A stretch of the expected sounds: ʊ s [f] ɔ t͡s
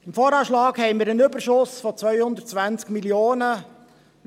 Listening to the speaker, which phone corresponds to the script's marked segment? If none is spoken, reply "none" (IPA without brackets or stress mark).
f